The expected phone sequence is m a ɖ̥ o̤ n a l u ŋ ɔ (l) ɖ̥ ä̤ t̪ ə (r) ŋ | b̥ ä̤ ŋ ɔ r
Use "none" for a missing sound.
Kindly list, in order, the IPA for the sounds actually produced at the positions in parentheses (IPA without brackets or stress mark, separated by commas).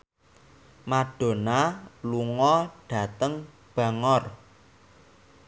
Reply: none, none